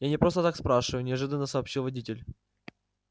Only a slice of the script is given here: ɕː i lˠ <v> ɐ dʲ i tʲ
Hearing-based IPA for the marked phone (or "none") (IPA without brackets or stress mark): v